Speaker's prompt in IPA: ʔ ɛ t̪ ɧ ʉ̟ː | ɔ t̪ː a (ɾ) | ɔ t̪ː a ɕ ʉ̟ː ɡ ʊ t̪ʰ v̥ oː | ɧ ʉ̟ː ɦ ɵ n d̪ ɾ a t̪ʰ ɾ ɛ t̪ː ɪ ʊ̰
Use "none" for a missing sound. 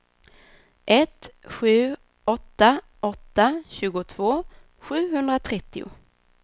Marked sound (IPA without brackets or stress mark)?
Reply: none